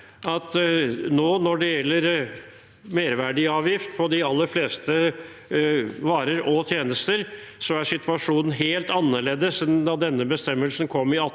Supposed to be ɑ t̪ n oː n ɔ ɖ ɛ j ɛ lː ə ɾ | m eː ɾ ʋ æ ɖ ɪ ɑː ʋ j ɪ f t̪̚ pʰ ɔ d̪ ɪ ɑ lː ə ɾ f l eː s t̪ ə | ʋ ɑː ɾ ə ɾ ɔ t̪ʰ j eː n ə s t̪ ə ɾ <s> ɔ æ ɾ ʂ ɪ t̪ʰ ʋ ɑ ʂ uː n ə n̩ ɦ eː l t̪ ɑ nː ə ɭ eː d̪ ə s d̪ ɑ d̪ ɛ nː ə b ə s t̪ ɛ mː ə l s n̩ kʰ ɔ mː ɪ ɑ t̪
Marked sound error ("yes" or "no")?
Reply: no